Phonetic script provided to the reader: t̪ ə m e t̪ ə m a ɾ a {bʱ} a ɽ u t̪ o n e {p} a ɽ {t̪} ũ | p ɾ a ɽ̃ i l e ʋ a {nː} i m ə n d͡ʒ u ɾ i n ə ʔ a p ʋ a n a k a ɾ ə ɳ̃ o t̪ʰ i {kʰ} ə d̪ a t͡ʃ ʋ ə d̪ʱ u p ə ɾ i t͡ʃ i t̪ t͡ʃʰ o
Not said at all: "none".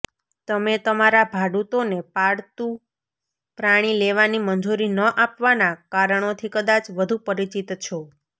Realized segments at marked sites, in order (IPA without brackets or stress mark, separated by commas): bʱ, p, t̪, n, k